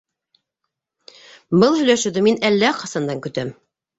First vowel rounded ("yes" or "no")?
no